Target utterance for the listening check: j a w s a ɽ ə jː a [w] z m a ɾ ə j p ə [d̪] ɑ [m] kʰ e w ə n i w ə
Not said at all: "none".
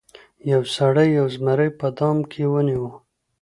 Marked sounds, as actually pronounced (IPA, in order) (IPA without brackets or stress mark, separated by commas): w, d̪, m